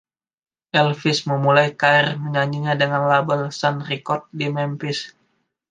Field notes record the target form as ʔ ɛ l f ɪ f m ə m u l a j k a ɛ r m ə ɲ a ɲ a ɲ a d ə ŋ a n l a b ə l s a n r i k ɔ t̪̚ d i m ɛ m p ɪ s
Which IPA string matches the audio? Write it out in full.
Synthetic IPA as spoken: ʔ ɛ l f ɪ s m ə m u l a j k a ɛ r m ə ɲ a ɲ i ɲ a d ə ŋ a n l a b ə l s a n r i k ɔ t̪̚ d i m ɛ m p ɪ s

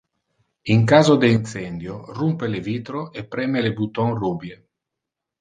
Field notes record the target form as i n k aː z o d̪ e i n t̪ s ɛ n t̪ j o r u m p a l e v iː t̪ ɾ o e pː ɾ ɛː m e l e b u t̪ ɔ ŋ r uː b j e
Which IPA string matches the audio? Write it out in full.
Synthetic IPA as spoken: i ŋ k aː z o d̪ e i n t̪ s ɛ n d̪ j o r u m p e l e v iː t̪ ɾ o e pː ɾ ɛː m e l e b u t̪ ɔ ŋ r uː b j e

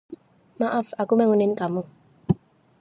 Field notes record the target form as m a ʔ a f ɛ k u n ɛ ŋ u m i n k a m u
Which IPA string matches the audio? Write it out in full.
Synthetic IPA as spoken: m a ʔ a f a k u m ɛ ŋ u n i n k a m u

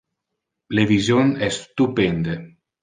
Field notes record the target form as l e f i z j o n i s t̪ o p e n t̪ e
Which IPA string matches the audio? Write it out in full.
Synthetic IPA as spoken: l e v i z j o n ɛ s t̪ u p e n d̪ e

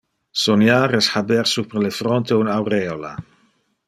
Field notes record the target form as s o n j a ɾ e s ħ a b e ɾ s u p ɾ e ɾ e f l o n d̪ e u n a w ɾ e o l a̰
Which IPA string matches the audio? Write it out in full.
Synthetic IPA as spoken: s o n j a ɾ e s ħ a b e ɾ s u p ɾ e l e f ɾ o n t̪ e u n a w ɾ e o l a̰

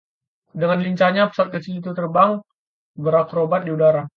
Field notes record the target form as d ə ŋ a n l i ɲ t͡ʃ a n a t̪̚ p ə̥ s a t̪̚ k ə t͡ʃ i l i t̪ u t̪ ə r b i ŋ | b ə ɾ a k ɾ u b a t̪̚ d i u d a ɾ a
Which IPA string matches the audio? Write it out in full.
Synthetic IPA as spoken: d ə ŋ a n l i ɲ t͡ʃ a ɲ a p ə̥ s a t̪̚ k ə t͡ʃ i l i t̪ u t̪ ə r b a ŋ | b ə ɾ a k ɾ o b a t̪̚ d i u d a ɾ a

